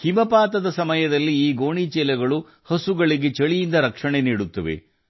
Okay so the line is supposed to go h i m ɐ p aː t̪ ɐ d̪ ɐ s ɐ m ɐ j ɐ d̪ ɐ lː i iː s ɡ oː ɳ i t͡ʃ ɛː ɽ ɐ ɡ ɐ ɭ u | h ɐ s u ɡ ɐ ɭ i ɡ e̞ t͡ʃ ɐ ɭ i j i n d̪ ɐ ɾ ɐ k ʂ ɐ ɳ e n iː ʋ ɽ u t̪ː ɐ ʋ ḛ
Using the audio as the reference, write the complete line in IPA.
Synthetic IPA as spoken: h i m ɐ p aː t̪ ɐ d̪ ɐ s ɐ m ɐ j ɐ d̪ ɐ lː i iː ɡ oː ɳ i t͡ʃ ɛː l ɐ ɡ ɐ ɭ u | h ɐ s u ɡ ɐ ɭ i ɡ e̞ t͡ʃ ɐ ɭ i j i n d̪ ɐ ɾ ɐ k ʂ ɐ ɳ e n iː ɽ u t̪ː ɐ ʋ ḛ